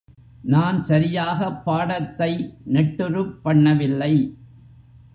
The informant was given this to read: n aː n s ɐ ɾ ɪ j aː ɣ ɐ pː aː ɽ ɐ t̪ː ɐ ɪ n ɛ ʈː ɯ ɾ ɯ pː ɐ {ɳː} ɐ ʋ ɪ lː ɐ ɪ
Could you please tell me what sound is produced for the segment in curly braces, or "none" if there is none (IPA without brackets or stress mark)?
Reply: ɳː